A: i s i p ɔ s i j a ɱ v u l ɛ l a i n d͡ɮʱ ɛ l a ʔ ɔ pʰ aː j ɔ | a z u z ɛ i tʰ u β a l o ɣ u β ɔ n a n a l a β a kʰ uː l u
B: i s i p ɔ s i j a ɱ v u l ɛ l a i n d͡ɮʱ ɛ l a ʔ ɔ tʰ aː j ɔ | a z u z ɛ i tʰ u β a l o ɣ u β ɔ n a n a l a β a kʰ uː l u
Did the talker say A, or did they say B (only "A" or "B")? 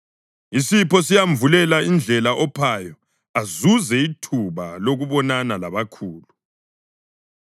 A